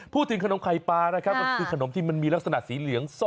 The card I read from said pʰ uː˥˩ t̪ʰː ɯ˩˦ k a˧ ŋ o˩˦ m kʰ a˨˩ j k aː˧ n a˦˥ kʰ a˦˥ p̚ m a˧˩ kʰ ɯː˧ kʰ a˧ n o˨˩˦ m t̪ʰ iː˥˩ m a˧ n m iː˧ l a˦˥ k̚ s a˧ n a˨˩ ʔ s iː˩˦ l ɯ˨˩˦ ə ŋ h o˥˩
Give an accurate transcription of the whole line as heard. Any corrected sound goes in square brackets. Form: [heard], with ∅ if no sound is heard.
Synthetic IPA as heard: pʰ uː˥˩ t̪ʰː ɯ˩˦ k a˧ [n] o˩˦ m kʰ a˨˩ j [p] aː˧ n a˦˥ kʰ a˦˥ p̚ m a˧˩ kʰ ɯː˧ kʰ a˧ n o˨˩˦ m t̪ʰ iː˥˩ m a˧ n m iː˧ l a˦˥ k̚ s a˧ n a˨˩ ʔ s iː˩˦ l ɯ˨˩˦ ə ŋ [s] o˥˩